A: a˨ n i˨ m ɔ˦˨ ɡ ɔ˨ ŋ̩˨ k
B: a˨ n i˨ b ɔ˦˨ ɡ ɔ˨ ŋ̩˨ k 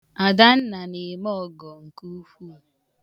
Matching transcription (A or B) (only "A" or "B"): A